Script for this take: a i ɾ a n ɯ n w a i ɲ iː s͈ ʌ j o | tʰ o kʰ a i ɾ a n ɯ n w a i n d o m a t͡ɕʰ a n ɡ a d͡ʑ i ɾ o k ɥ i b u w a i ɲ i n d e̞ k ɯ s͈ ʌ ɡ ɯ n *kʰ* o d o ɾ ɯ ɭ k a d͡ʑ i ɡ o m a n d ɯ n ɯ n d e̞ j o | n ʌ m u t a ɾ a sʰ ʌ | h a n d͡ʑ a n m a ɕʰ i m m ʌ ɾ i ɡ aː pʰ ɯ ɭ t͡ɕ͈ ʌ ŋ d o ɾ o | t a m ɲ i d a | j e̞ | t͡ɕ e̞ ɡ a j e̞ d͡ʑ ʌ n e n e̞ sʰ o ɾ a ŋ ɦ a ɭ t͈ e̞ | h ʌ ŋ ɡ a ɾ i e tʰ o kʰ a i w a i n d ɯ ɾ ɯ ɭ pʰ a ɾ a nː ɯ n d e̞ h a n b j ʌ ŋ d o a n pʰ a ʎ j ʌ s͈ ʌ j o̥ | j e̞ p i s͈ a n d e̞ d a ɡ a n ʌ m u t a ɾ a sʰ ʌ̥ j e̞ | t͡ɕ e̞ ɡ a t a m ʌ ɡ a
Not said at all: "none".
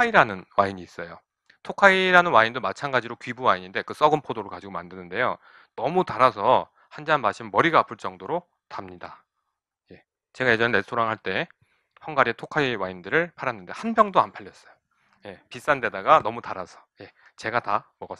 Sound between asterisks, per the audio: pʰ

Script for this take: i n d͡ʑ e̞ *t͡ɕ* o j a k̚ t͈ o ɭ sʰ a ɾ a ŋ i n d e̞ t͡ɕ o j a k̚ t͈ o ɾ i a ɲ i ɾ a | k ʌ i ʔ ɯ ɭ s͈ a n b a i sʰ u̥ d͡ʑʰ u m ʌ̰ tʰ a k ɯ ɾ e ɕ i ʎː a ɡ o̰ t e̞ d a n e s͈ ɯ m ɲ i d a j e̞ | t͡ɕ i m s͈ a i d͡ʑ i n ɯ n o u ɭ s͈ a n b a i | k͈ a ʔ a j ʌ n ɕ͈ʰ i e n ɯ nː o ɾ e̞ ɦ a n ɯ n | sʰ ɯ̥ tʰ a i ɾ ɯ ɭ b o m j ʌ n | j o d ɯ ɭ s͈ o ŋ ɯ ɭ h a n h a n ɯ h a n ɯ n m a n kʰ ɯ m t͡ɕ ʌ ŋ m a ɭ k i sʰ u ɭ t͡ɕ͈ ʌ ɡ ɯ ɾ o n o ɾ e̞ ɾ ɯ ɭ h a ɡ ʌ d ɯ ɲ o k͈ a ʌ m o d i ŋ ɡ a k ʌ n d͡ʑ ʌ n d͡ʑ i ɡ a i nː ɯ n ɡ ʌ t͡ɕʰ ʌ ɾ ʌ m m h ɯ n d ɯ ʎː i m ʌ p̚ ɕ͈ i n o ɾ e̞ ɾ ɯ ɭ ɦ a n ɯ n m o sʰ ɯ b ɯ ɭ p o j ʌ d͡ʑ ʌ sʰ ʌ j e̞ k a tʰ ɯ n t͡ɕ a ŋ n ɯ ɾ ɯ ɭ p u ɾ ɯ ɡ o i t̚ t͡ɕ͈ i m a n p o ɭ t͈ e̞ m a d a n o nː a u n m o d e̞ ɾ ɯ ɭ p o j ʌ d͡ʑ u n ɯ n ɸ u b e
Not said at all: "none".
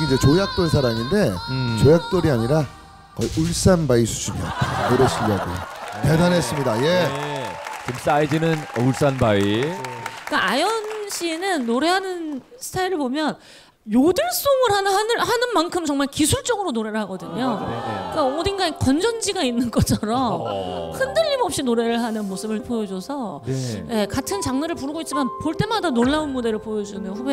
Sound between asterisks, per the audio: t͡ɕ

